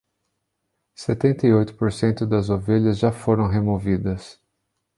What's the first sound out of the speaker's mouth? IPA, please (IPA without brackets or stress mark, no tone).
s